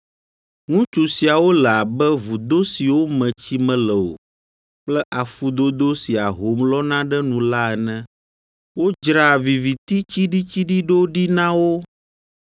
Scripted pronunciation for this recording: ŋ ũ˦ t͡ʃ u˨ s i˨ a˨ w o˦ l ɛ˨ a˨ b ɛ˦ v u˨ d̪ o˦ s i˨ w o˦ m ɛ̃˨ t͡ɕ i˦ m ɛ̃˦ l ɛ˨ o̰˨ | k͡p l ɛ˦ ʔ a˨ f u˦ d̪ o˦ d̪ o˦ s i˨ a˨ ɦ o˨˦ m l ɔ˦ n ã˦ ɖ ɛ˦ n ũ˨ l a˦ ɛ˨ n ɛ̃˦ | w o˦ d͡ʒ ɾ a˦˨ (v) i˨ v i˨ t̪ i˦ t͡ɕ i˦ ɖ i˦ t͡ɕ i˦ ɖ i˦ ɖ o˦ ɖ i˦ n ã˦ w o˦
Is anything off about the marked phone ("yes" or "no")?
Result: no